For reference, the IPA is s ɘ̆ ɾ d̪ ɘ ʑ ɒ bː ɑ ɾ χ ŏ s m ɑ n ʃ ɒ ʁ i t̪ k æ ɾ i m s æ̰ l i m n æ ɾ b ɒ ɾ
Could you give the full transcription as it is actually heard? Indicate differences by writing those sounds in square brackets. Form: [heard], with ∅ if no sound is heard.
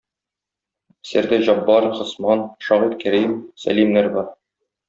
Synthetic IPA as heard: s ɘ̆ ɾ d̪ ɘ ʑ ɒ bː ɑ ɾ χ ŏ s m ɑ n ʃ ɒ ʁ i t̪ k æ ɾ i m s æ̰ l i m n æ ɾ b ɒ ɾ